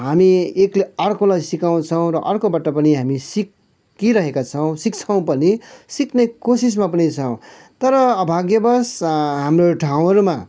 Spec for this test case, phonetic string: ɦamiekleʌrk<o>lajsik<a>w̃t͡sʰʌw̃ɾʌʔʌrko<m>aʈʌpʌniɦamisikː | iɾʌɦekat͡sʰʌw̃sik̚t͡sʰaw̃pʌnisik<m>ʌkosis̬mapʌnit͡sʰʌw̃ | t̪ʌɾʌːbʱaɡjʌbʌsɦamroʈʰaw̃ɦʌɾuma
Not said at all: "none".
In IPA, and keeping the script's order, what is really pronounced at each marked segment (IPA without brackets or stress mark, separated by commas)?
o, a, b, n